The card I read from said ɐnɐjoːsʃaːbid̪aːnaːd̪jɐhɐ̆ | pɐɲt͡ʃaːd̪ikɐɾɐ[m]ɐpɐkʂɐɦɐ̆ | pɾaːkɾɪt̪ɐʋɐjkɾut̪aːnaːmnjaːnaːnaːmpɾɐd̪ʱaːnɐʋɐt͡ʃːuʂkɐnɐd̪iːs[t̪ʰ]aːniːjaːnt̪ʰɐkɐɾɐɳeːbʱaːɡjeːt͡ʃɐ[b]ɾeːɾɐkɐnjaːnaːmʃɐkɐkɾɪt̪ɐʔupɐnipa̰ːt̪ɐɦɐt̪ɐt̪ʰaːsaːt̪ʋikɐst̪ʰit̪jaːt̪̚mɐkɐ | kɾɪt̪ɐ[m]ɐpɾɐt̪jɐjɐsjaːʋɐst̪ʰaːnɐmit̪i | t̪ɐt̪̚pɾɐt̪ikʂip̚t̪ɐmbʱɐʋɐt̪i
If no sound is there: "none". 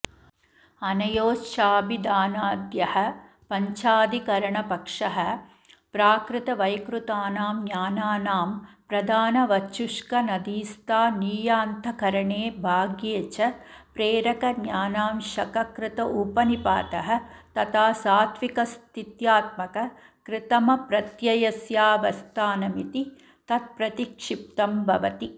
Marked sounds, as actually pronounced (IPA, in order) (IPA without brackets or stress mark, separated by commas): ɳ, t̪, p, m